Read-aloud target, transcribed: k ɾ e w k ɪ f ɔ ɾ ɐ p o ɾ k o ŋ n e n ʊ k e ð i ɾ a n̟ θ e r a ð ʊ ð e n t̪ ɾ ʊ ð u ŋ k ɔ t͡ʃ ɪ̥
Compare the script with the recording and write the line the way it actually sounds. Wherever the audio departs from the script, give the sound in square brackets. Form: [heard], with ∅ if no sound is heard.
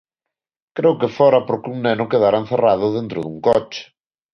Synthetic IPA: k ɾ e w k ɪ f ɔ ɾ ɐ p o ɾ k [u] ŋ n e n ʊ k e ð [a] ɾ a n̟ θ e r a ð ʊ ð e n t̪ ɾ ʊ ð u ŋ k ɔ t͡ʃ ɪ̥